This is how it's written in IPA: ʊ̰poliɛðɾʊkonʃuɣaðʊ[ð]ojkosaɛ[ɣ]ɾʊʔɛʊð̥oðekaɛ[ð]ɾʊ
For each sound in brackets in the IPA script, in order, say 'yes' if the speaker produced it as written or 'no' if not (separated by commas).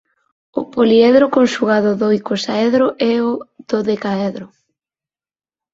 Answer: yes, no, yes